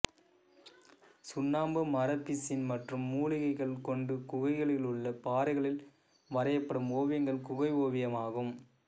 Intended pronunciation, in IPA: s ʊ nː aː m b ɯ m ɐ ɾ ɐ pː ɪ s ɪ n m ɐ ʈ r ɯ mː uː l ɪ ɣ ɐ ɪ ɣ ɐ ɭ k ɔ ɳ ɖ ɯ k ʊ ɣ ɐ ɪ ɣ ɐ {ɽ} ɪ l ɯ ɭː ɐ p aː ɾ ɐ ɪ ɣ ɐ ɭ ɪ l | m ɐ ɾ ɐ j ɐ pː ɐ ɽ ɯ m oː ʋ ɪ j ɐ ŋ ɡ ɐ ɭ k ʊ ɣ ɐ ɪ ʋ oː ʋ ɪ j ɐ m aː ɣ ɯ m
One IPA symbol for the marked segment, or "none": ɭ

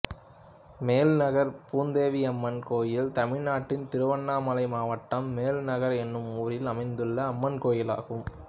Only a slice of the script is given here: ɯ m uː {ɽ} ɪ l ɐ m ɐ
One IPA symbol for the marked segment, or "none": ɾ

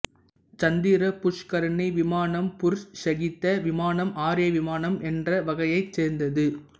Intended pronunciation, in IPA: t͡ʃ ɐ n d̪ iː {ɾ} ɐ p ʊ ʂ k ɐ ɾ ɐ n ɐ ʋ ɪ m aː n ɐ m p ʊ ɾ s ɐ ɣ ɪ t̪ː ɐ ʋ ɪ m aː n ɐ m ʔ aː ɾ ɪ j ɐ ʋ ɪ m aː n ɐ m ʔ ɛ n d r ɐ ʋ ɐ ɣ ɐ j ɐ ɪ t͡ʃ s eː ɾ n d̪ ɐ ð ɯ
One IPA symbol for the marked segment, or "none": ɾ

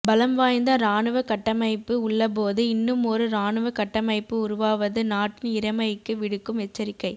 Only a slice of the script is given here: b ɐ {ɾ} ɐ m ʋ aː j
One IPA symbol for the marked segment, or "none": l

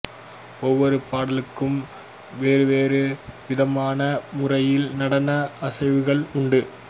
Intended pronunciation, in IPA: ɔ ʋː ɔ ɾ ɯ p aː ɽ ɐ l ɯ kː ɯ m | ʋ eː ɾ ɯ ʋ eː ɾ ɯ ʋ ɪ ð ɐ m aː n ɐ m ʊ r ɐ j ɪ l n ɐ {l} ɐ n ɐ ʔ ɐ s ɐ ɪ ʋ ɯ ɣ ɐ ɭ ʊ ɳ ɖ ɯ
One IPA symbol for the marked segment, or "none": ɽ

